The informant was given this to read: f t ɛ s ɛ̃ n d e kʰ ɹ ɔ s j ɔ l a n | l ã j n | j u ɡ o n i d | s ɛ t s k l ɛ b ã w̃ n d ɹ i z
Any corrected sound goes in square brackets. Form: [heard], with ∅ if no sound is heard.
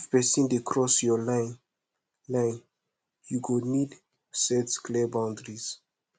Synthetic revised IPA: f [p] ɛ s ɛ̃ n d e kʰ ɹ ɔ s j ɔ l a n | l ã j n | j u ɡ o n i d | s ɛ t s k l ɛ b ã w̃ n d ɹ i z